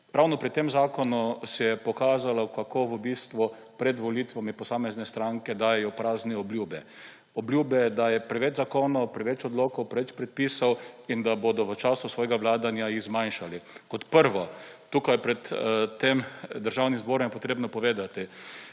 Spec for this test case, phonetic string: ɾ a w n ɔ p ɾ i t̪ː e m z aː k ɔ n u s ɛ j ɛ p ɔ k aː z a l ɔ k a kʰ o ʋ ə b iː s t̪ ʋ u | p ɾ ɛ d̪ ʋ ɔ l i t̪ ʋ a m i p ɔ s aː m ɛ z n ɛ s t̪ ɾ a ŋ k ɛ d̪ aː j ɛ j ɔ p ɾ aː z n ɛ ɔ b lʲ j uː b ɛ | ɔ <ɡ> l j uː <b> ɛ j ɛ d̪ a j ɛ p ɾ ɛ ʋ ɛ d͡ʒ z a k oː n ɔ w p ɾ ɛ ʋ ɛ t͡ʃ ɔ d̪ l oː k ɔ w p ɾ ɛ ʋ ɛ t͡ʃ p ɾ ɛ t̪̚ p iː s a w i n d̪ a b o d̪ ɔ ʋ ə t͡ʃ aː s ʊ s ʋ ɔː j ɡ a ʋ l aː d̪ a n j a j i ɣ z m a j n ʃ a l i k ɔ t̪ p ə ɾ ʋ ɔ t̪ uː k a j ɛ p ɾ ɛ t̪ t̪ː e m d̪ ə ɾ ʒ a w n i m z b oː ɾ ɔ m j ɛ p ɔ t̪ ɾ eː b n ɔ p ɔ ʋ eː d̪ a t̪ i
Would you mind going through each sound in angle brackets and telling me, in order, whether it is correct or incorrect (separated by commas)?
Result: incorrect, correct